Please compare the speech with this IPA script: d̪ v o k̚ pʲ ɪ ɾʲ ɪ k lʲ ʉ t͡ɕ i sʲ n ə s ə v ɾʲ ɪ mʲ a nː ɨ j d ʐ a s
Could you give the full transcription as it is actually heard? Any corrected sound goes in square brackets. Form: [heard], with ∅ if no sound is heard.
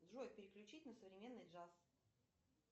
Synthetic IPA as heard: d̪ [ʐ] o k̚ pʲ ɪ ɾʲ ɪ k lʲ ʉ t͡ɕ i [tʲ] n ə s ə v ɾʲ ɪ mʲ [e] nː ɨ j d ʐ a s